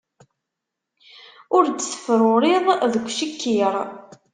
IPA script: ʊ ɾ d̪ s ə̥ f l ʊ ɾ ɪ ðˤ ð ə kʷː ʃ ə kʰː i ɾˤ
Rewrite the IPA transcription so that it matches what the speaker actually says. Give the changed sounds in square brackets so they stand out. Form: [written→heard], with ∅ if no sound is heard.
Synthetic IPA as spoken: ʊ ɾ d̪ s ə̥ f [l→ɾ] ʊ ɾ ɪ ðˤ ð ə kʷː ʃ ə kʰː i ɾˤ